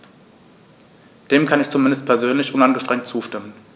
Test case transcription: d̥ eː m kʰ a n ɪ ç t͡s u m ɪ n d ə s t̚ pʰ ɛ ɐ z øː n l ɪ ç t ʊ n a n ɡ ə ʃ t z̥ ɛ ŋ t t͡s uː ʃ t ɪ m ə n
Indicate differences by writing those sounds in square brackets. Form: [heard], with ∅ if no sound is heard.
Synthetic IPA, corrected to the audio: d̥ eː m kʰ a n ɪ ç t͡s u m ɪ n d ə s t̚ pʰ ɛ ɐ z øː n l ɪ ç [ʔ] ʊ n a n ɡ ə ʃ t [ʁ̥] ɛ ŋ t t͡s uː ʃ t ɪ m ə n